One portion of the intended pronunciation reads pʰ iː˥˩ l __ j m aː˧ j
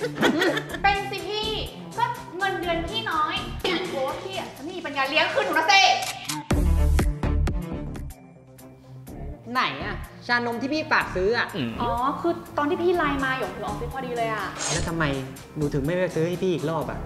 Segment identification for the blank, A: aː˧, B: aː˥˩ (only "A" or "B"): A